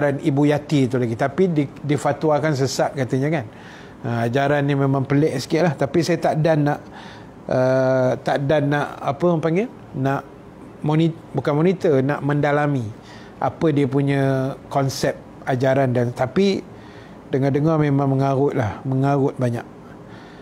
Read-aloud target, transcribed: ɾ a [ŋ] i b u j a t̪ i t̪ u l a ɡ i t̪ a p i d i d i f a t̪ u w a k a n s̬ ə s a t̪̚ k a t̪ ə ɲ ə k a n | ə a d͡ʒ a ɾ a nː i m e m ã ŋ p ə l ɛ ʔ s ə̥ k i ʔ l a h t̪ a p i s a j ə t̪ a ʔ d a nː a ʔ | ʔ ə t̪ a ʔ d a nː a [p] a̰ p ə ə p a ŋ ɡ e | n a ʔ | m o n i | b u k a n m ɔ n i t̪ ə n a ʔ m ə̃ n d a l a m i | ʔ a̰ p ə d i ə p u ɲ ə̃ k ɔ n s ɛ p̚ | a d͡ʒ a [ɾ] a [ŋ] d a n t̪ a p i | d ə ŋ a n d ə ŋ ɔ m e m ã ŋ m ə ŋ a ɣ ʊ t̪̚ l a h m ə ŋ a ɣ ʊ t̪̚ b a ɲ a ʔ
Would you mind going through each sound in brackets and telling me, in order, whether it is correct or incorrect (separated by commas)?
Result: incorrect, incorrect, correct, incorrect